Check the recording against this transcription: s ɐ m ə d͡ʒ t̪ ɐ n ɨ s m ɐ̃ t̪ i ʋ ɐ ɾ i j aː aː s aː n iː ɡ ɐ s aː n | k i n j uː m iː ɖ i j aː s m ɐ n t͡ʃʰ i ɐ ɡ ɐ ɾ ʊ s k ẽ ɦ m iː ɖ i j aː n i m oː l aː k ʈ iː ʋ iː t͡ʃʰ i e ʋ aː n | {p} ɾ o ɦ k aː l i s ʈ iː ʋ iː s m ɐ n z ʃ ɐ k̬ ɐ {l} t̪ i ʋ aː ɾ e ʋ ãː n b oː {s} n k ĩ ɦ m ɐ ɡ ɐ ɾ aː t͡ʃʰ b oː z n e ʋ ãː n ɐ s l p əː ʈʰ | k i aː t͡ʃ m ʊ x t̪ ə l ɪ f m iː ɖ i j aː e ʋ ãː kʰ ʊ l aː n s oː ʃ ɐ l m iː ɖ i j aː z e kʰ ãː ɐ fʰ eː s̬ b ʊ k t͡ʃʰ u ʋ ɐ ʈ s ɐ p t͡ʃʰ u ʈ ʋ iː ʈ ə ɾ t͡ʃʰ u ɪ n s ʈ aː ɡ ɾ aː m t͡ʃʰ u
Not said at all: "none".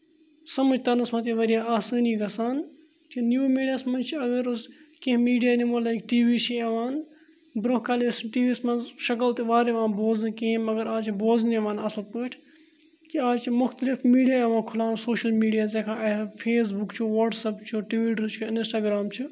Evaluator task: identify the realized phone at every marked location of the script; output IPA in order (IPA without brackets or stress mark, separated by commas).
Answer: b, l, z